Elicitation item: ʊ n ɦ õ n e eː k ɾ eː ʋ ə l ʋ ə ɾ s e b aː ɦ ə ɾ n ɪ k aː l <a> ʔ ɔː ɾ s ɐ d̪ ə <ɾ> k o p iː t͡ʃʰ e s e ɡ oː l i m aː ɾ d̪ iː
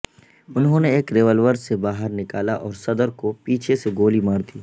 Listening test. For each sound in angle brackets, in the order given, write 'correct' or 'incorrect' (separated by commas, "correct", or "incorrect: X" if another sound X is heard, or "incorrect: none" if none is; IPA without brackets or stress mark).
correct, correct